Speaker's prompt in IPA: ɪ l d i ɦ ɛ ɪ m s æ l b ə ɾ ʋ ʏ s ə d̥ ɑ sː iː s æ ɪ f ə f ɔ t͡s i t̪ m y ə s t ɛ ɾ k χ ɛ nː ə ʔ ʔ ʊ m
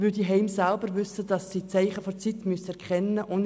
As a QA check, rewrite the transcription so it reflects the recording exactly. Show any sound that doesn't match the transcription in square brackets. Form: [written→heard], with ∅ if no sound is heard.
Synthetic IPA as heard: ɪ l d i ɦ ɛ ɪ m s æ l b ə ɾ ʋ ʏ s ə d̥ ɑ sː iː [s→t͡s] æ ɪ [f→χ] ə f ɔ t͡s i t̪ m y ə s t ɛ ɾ k χ ɛ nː ə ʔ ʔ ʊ [m→n]